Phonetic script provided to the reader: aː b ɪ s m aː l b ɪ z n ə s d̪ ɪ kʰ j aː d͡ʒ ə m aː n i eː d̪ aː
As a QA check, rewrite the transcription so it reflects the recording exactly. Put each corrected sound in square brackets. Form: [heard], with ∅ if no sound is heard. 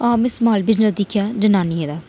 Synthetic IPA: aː [m] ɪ s m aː l b ɪ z n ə s d̪ ɪ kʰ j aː d͡ʒ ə [n] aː n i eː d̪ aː